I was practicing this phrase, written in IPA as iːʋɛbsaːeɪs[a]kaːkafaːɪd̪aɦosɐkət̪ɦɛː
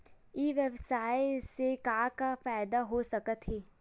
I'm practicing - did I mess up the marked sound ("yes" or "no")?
yes